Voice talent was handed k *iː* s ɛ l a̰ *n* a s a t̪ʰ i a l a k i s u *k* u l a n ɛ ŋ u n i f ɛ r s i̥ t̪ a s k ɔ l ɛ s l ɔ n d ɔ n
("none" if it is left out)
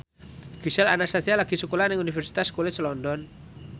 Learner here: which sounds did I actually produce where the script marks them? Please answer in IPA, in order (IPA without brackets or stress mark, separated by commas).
i, n, k